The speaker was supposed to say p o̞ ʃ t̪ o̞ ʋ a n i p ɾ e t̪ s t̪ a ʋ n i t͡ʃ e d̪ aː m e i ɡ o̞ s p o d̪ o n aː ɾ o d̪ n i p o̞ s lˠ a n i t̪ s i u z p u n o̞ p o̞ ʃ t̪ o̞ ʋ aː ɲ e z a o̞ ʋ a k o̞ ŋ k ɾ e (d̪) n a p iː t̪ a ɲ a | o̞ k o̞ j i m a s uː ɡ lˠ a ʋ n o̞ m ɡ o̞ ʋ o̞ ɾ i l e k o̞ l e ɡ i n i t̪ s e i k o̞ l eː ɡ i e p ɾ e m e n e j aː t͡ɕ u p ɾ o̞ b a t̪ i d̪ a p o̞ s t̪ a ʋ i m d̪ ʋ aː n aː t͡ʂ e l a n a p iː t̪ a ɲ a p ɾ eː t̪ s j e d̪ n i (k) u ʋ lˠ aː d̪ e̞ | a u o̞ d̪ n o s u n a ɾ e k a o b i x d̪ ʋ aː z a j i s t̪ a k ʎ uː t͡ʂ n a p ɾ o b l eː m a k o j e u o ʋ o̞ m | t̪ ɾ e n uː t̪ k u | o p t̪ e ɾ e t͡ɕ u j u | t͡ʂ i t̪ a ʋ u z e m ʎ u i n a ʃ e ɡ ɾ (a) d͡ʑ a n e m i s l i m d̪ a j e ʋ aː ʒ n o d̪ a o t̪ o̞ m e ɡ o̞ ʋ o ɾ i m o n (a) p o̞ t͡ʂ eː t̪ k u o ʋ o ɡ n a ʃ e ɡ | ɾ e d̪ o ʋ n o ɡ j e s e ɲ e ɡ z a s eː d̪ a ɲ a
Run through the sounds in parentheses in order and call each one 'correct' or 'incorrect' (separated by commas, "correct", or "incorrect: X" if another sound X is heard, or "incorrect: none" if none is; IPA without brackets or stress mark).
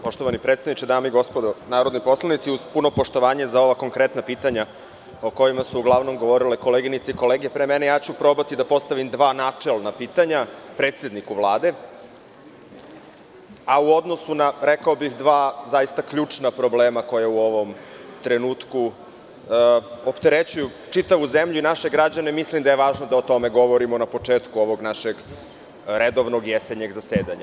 incorrect: t̪, correct, correct, correct